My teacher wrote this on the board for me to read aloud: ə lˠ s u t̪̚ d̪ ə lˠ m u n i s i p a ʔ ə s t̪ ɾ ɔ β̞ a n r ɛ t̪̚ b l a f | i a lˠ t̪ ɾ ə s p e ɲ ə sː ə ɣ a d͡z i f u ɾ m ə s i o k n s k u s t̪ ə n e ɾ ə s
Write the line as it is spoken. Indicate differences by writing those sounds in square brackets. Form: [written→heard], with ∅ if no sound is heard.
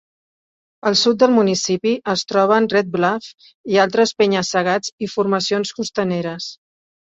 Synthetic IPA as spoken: ə lˠ s u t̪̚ d̪ ə lˠ m u n i s i p [a→i] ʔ ə s t̪ ɾ ɔ β̞ [a→ə] n r ɛ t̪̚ b l a f | i a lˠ t̪ ɾ ə s p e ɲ ə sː ə ɣ a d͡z i f u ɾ m ə s i o [k→∅] n s k u s t̪ ə n e ɾ ə s